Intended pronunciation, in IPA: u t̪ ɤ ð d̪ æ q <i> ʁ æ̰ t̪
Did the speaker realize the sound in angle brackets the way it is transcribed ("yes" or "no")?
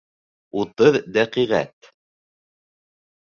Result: yes